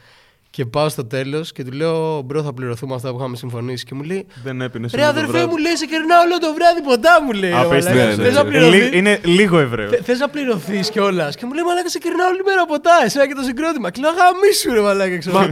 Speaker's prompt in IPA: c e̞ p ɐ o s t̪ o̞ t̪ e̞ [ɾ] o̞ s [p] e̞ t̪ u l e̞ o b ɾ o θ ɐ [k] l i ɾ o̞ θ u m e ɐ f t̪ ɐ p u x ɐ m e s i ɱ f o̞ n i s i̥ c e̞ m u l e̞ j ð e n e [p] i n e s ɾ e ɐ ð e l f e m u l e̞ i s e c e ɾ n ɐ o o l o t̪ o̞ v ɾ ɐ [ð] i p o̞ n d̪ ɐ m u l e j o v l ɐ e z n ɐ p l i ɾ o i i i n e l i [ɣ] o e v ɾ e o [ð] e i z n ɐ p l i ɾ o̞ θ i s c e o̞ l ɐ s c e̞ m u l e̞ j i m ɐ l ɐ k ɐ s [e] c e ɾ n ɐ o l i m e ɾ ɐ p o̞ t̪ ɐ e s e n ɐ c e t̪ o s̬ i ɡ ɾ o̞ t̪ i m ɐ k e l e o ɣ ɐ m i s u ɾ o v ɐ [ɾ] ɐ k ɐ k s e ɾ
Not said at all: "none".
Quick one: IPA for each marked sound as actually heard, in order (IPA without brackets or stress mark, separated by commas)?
l, c, p, p, ð, ɣ, θ, e, l